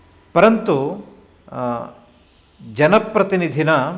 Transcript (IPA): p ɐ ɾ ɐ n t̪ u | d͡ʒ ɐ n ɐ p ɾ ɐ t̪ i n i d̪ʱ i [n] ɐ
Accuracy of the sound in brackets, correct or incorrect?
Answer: correct